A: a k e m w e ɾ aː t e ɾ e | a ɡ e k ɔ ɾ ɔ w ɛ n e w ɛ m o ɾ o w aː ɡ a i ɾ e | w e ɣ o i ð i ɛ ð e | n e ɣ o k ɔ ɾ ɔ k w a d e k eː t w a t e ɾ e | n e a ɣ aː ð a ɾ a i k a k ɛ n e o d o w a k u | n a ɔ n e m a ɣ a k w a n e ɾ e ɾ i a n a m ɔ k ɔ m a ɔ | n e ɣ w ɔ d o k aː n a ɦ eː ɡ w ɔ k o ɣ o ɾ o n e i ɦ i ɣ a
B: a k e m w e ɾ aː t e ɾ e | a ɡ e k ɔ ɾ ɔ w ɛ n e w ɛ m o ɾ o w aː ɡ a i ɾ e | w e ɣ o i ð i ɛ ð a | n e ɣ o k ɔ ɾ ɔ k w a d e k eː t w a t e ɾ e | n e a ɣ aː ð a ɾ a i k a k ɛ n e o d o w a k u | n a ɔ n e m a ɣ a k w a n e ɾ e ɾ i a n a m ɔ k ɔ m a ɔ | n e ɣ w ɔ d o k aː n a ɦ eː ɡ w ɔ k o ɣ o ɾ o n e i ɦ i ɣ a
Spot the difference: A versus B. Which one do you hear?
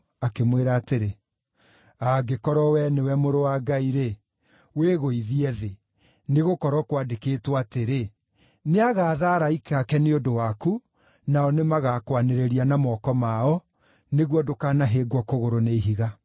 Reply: A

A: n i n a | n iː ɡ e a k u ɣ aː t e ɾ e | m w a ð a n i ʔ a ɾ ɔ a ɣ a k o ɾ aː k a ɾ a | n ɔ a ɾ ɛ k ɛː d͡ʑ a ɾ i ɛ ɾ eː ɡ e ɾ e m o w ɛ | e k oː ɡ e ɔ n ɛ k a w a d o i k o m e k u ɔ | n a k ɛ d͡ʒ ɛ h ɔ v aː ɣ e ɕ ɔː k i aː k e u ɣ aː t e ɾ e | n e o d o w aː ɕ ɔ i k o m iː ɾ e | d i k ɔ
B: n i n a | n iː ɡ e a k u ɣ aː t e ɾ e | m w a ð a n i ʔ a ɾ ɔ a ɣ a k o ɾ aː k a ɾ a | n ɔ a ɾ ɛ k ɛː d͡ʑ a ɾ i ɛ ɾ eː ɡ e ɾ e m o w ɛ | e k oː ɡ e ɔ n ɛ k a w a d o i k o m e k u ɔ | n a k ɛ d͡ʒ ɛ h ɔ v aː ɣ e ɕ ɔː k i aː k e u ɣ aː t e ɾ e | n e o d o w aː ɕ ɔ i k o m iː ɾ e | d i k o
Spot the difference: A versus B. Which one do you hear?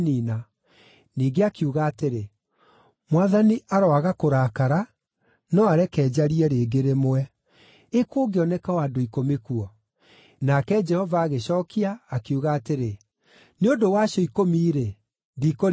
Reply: B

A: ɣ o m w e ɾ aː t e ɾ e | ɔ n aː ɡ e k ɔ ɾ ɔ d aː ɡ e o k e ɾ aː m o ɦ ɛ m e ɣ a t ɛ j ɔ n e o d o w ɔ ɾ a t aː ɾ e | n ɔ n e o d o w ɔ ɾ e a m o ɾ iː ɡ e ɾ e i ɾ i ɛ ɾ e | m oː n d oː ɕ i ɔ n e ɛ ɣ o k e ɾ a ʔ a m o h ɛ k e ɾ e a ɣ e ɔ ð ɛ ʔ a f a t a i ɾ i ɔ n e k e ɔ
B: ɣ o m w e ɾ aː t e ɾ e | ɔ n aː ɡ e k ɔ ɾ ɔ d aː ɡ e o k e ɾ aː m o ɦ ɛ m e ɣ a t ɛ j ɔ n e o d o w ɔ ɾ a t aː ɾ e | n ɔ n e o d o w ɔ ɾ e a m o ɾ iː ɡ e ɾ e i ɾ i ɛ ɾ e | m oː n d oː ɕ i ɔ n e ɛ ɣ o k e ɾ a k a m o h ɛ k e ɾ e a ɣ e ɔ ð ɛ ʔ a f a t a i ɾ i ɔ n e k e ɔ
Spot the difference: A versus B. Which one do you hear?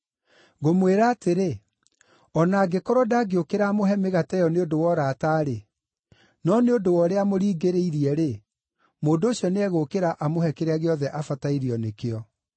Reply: A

